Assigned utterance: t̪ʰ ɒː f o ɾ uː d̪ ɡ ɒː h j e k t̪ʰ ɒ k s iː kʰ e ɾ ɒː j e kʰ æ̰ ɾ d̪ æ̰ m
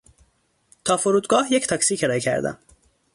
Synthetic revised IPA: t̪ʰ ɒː f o ɾ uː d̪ ɡ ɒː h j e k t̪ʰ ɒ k s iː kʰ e ɾ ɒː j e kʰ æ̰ ɾ d̪ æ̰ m